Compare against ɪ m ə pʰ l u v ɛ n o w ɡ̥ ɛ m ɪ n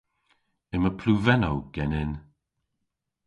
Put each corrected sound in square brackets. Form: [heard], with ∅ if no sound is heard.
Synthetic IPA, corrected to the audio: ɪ m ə pʰ l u v ɛ n o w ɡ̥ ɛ [n] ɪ n

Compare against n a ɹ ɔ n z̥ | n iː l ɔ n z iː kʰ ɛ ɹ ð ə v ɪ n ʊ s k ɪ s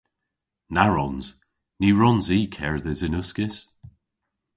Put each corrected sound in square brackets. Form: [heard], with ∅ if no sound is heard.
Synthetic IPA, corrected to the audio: n a ɹ ɔ n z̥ | n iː [ɹ] ɔ n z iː kʰ ɛ ɹ ð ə [z] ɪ n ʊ s k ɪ s

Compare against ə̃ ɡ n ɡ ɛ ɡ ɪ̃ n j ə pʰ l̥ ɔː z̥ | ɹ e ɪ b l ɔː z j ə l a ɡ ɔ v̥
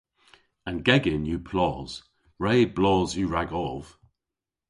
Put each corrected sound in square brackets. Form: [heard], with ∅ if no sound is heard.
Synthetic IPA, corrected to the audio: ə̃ [∅] n ɡ ɛ ɡ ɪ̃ n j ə pʰ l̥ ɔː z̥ | ɹ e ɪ b l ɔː z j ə [ɹ] a ɡ ɔ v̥

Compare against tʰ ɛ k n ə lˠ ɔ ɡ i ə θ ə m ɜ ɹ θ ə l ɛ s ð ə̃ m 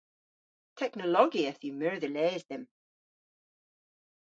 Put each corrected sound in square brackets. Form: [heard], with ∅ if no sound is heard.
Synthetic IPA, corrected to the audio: tʰ ɛ k n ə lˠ ɔ ɡ i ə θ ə m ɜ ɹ [ð] ə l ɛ [z] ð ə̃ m

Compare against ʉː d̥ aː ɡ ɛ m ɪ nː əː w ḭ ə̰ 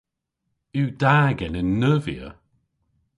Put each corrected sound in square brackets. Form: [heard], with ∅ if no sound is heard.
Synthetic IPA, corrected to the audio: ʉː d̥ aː ɡ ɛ [n] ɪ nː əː [v] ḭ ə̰

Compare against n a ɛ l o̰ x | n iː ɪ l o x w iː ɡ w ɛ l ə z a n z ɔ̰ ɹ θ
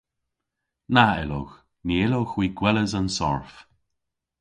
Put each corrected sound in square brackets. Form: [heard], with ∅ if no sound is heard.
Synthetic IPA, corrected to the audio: n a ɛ l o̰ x | n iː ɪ l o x w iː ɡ w ɛ l ə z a n [s] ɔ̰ ɹ [f]

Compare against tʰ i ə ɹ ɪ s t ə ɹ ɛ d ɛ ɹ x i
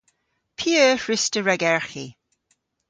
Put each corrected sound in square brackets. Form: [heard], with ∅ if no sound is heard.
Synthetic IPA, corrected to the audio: [pʰ] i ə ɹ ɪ s t ə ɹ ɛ [ɡ] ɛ ɹ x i

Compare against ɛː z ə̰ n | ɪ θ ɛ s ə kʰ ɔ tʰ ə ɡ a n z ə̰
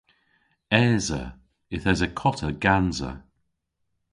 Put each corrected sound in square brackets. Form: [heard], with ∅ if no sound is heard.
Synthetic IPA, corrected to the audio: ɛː z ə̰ [∅] | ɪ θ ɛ [z] ə kʰ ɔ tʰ ə ɡ a n z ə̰

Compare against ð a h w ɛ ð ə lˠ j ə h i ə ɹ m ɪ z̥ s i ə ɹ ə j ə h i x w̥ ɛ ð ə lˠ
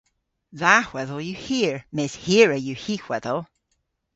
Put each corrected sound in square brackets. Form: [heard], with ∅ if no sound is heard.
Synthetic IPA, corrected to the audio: ð a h w ɛ ð ə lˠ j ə h i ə ɹ m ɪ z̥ [h] i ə ɹ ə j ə h i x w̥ ɛ ð ə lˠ

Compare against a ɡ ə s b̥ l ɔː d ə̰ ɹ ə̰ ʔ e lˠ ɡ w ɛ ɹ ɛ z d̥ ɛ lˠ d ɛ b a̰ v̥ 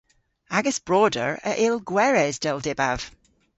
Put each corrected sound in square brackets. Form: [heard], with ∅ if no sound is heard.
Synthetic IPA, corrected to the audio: a ɡ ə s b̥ [ɹ] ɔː d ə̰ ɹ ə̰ ʔ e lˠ ɡ w ɛ ɹ ɛ z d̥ ɛ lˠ d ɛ b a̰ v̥

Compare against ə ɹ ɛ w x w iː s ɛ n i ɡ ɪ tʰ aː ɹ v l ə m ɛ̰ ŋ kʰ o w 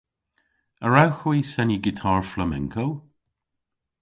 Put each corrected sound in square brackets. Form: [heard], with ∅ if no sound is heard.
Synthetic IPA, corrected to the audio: ə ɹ [a] w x w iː s ɛ n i ɡ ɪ tʰ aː ɹ [f] l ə m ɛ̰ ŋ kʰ o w

